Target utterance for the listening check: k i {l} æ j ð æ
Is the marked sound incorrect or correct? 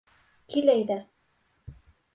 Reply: correct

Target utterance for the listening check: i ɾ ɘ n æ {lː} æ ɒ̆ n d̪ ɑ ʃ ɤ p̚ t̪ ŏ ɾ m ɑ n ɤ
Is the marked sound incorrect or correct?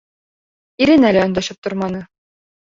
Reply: incorrect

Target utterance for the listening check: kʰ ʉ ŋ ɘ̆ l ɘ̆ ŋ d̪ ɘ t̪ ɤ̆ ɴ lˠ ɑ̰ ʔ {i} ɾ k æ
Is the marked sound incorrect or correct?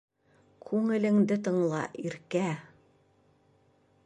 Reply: correct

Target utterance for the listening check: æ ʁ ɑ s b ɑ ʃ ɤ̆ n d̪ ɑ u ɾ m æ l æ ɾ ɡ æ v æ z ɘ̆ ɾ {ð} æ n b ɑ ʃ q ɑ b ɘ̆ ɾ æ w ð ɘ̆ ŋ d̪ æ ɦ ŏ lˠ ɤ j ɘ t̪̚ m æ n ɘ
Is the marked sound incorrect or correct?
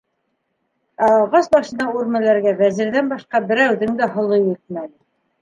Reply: correct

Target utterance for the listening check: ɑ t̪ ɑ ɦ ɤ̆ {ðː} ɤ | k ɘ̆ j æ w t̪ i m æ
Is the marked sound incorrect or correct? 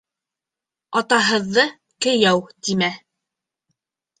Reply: correct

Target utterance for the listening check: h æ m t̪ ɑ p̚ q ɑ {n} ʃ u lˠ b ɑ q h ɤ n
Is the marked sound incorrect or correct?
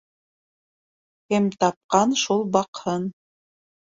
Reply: correct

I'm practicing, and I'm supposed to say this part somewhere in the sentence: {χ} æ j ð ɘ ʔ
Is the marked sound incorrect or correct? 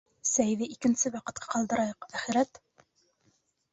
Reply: incorrect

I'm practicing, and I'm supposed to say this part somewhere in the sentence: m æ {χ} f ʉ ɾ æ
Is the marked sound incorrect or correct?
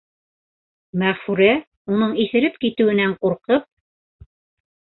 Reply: incorrect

